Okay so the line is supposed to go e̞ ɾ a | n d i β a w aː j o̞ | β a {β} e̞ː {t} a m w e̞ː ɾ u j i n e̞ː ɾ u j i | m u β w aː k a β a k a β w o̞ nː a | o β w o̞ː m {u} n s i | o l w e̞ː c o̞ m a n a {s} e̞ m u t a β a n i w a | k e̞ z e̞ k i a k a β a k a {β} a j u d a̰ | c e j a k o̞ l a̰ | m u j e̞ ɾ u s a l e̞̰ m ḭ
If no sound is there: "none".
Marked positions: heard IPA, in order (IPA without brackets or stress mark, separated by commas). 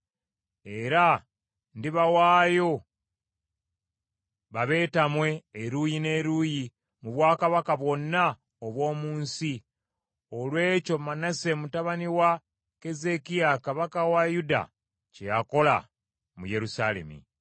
β, t, uː, s, w